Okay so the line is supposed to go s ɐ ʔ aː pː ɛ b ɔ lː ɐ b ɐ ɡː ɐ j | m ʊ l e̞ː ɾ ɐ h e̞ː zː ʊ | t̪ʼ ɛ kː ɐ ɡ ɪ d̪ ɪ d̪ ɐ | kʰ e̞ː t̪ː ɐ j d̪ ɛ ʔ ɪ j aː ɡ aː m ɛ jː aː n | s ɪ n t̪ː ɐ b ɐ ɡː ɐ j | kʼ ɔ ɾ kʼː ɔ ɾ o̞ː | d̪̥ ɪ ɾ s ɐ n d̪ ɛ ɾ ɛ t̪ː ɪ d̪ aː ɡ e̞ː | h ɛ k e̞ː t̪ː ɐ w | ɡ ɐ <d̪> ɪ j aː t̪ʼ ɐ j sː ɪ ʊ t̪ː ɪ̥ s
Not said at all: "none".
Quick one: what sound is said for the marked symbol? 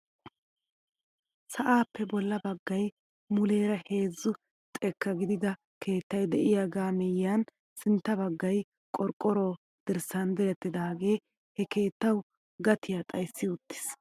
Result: t̪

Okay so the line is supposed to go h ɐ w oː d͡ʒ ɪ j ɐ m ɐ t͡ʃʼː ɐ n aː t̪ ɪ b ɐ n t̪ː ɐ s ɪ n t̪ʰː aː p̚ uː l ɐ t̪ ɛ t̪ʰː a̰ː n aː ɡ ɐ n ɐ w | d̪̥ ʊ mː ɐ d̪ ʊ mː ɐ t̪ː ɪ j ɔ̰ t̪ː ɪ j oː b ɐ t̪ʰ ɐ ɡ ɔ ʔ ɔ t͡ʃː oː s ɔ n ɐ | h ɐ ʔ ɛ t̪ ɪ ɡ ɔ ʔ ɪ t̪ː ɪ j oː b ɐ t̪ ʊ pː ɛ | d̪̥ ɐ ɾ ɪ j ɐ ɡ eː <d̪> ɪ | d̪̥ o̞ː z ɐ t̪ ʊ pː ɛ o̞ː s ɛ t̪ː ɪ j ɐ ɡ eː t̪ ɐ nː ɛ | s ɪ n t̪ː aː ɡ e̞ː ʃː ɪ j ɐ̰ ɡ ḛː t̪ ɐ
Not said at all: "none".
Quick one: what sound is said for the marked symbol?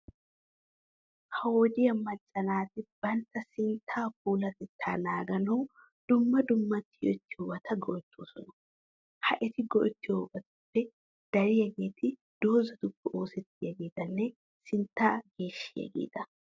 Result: t̪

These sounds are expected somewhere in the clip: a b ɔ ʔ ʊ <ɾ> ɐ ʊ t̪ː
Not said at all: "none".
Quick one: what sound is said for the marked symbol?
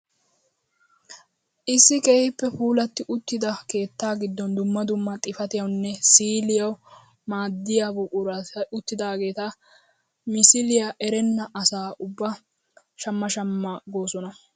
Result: ɾ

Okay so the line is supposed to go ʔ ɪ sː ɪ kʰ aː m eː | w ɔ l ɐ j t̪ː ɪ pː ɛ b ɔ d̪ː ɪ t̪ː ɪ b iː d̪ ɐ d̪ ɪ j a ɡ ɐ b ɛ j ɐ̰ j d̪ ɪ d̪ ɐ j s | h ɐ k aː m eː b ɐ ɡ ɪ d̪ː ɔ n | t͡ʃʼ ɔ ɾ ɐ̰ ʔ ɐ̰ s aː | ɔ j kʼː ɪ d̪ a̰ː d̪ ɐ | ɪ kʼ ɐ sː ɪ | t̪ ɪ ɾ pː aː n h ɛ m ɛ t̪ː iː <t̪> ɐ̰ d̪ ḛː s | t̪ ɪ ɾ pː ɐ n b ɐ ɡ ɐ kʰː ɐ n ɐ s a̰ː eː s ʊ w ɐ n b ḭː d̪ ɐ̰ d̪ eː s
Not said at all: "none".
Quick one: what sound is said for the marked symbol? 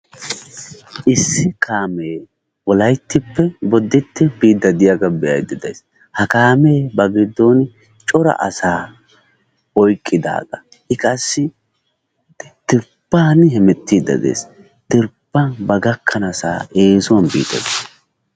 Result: d̪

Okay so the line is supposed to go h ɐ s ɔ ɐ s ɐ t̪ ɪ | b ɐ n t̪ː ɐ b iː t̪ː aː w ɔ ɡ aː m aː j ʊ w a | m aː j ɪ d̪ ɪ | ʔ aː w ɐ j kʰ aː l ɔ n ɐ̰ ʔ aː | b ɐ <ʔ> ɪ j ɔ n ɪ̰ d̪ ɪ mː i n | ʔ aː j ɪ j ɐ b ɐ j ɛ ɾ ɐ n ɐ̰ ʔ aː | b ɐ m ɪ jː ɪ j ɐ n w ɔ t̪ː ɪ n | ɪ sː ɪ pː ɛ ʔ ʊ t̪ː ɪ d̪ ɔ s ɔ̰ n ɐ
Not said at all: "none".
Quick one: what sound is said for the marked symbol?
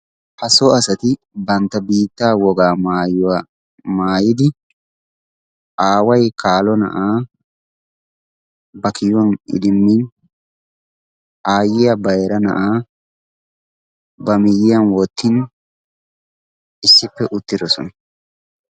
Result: k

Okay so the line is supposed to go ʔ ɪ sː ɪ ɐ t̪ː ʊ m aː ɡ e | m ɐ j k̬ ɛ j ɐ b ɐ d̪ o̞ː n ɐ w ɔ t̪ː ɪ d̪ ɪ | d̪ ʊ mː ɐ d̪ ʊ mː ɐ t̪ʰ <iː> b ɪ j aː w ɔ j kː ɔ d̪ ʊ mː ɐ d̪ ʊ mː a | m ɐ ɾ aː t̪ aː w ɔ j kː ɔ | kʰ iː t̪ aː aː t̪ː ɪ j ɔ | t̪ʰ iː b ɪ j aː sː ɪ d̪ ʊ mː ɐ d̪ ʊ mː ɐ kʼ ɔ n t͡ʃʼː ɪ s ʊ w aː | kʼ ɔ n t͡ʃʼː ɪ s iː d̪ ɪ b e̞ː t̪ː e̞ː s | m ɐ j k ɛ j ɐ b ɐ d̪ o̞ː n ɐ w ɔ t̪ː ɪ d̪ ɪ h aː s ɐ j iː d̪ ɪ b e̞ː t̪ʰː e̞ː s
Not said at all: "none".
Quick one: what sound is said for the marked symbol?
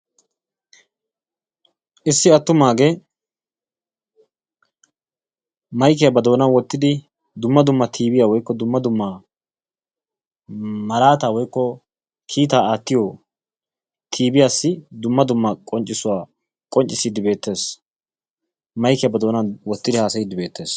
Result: iː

